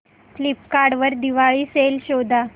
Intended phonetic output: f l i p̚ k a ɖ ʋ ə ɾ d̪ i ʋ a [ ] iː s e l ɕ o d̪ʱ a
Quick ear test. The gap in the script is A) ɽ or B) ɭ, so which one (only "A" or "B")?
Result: B